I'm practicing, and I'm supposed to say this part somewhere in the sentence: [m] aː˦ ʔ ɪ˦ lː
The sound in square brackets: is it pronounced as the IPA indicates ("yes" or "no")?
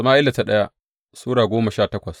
yes